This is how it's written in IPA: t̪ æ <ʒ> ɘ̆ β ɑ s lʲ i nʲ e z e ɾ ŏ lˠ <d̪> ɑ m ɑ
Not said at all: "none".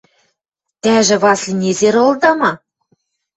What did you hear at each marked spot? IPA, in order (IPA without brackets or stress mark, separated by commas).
ʒ, d̪